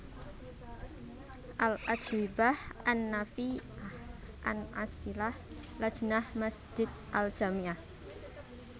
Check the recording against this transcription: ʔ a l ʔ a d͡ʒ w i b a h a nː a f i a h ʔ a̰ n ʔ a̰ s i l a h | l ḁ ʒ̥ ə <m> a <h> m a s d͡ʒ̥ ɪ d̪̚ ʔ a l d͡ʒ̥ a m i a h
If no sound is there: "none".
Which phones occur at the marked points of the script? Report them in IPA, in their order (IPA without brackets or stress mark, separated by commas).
n, h